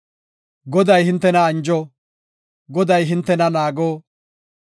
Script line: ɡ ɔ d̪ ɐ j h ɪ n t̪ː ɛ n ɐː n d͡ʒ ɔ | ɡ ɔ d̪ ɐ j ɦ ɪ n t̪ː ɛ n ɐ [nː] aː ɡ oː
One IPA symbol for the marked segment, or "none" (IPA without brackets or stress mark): n